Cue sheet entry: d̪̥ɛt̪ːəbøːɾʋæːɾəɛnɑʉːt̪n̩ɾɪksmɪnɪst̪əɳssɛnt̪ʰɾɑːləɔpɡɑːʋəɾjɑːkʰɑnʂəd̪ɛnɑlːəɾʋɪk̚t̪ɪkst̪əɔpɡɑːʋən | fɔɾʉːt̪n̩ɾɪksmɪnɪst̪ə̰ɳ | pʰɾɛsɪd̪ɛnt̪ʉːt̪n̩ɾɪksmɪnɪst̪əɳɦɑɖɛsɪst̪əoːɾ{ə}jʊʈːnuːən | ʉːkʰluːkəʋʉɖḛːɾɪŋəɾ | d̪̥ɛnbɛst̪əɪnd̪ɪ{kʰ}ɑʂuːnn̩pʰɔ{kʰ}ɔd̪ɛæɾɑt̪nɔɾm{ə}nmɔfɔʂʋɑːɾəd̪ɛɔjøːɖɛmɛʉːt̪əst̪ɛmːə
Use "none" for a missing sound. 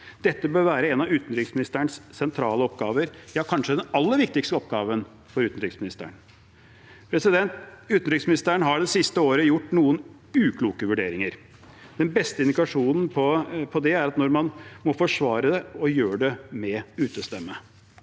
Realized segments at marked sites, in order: ə, k, pʰ, ɑ

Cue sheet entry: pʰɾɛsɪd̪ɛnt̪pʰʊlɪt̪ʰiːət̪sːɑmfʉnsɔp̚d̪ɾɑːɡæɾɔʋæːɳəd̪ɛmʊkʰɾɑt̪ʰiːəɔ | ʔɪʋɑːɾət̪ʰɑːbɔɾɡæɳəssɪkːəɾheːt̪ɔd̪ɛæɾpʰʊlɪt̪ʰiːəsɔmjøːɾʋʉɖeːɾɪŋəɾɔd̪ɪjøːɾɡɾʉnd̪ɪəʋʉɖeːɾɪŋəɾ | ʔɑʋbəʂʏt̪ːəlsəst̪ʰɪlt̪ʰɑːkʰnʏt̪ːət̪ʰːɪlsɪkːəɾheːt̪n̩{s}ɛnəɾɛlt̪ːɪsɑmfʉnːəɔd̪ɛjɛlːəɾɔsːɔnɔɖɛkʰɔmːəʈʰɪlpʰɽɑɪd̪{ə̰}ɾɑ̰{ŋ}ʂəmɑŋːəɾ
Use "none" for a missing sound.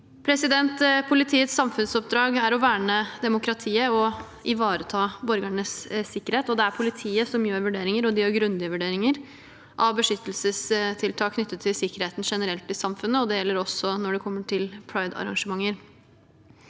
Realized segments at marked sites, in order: ʂ, ɑ̰, ŋ

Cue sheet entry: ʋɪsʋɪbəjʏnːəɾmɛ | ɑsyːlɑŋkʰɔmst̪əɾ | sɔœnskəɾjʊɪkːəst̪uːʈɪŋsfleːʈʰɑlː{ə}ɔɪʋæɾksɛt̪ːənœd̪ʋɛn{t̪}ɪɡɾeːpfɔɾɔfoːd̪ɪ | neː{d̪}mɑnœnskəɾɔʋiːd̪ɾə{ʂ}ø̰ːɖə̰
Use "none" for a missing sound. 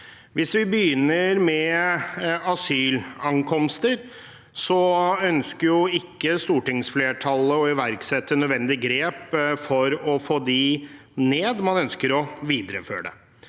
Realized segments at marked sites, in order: ə, d̪, d̪, f

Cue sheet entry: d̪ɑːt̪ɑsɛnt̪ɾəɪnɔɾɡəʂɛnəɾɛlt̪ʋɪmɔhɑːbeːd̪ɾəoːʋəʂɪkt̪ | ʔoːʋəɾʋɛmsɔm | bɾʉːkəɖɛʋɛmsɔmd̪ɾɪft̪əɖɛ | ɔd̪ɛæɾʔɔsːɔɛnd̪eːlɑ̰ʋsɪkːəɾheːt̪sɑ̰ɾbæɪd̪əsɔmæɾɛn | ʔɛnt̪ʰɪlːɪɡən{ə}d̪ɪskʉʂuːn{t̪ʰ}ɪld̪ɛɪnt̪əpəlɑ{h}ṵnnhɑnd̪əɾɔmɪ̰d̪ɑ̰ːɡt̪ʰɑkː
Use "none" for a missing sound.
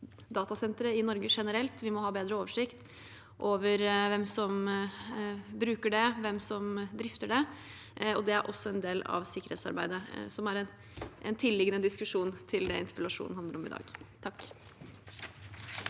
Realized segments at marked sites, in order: ə, t̪ʰ, ʂ

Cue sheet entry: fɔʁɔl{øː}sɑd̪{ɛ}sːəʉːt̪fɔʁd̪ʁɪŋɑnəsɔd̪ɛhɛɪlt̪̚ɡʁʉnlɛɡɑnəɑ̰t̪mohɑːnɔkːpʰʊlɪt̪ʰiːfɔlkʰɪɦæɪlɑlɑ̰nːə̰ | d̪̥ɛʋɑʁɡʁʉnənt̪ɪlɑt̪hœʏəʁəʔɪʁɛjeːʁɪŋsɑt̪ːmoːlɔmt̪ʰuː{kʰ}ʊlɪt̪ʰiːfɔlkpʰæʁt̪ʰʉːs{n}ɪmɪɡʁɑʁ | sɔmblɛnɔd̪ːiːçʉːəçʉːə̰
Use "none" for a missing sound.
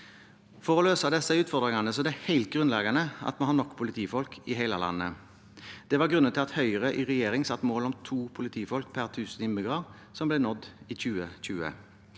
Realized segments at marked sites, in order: øː, ɛ, pʰ, n

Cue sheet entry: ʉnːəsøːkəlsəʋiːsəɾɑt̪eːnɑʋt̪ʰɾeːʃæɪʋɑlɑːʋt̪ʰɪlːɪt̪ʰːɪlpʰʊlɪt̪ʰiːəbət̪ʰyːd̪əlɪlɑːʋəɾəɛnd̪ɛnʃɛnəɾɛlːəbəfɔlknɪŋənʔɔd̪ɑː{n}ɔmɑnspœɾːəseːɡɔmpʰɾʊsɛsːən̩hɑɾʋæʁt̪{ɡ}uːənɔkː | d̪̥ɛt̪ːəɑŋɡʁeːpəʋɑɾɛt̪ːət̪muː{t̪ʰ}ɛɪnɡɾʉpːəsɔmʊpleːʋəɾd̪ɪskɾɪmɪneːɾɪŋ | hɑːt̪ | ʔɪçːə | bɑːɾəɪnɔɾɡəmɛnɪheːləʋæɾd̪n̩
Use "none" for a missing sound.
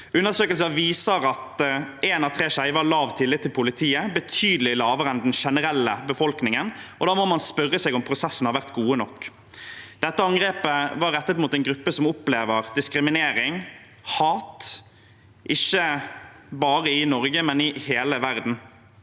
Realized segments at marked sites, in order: m, ɡ, t̪

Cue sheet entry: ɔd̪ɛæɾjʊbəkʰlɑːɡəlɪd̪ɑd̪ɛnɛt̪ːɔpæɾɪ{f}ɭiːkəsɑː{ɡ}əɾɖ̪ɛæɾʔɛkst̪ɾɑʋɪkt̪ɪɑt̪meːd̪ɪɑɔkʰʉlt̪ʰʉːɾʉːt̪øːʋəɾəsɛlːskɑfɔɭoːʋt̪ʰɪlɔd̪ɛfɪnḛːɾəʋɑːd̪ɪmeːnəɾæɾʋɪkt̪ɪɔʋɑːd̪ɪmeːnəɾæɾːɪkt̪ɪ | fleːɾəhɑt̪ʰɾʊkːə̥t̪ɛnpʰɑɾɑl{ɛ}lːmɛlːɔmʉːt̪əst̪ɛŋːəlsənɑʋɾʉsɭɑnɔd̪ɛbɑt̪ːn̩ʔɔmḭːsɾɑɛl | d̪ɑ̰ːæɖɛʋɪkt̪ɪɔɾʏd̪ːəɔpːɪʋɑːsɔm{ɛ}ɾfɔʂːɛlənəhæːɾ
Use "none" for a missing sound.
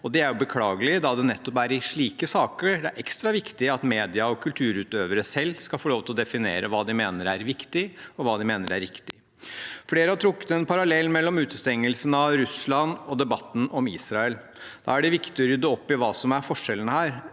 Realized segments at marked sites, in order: ʂ, k, ɛ, æ

